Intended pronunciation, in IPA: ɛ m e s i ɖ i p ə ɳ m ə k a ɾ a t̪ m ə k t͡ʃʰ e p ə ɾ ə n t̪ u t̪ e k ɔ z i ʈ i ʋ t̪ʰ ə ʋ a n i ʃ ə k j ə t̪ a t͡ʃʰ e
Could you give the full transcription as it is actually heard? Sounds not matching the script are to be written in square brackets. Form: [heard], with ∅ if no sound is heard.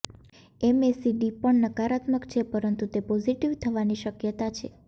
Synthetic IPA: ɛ m e s i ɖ i p ə ɳ [n] ə k a ɾ a t̪ m ə k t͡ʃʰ e p ə ɾ ə n t̪ u t̪ e [p] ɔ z i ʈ i ʋ t̪ʰ ə ʋ a n i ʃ ə k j ə t̪ a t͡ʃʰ e